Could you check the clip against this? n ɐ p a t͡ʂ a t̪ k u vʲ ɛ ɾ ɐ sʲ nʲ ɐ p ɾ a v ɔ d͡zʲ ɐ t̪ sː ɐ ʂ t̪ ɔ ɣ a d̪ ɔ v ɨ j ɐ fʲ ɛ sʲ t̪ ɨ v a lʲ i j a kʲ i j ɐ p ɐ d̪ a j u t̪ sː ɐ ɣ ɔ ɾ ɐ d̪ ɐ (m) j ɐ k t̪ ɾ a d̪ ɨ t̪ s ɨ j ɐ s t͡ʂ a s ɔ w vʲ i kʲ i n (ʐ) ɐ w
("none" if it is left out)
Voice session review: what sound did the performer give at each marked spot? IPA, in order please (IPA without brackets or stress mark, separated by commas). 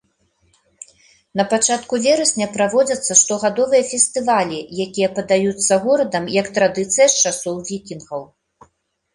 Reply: m, ɣ